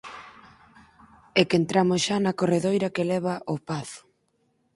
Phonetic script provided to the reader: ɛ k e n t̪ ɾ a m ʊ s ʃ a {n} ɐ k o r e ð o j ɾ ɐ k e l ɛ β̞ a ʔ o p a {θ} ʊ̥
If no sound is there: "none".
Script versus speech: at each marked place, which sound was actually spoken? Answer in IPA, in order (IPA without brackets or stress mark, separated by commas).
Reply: n, θ